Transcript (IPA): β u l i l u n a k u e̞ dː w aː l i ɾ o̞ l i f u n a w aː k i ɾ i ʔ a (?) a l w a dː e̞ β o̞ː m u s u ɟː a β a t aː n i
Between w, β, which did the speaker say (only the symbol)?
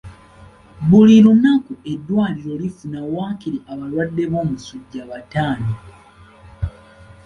β